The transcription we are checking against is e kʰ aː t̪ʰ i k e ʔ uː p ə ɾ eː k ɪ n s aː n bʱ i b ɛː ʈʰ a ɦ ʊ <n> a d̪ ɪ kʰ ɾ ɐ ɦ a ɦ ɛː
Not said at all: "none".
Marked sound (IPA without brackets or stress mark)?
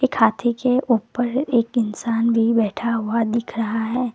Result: none